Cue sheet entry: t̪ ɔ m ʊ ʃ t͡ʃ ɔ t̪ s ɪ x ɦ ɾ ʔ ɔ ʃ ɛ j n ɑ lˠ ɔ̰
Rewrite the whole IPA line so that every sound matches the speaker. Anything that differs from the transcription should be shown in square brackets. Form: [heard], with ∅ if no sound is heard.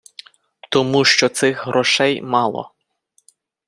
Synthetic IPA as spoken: t̪ ɔ m [u] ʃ t͡ʃ ɔ t̪ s ɪ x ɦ ɾ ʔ ɔ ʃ ɛ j [m] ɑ lˠ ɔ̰